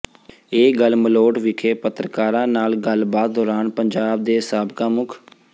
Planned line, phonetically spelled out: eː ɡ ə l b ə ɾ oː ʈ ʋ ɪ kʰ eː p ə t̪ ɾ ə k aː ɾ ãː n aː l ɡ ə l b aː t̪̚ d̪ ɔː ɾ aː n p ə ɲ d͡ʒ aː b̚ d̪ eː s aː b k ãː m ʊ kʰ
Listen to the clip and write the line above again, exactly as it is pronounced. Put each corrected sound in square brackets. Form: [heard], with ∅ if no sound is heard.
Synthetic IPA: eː ɡ ə l [m] ə [l] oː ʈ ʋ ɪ kʰ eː p ə t̪ ɾ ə k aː ɾ ãː n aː l ɡ ə l b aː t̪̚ d̪ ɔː ɾ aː n p ə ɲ d͡ʒ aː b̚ d̪ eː s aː b k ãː m ʊ kʰ